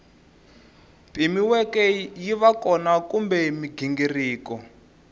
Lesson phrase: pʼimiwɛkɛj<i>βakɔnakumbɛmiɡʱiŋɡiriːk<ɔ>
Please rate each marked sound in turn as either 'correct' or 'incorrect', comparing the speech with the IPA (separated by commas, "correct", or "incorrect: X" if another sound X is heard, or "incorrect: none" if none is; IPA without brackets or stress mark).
correct, correct